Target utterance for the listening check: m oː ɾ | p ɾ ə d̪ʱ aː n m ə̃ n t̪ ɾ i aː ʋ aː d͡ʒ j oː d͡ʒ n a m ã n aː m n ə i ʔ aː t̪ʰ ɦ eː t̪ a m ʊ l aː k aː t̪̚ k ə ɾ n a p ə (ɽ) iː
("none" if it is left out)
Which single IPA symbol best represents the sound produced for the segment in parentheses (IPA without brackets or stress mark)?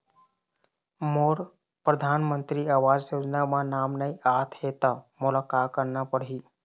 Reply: ɽ